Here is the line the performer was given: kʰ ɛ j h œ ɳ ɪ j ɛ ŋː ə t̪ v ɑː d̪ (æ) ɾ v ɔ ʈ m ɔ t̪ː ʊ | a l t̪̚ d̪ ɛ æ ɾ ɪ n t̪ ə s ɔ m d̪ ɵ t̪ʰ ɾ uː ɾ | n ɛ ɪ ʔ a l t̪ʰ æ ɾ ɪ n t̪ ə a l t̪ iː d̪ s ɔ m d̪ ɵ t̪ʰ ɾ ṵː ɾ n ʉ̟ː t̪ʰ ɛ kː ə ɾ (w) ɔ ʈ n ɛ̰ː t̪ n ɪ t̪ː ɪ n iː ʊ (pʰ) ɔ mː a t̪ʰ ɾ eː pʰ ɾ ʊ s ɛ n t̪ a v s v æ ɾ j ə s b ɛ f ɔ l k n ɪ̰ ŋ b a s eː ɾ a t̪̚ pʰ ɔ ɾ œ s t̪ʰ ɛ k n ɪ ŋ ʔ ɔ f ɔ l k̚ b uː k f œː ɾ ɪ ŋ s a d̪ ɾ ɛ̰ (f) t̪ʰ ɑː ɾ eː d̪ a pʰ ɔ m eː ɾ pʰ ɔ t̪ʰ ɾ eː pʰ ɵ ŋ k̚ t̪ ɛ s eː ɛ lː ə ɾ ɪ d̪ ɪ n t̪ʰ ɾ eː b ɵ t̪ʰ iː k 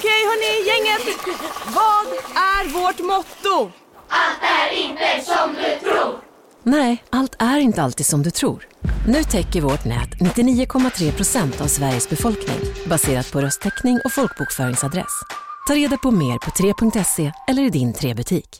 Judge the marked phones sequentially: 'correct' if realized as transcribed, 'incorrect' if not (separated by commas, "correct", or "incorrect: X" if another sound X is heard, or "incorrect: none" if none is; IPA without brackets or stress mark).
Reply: correct, incorrect: v, incorrect: kʰ, incorrect: s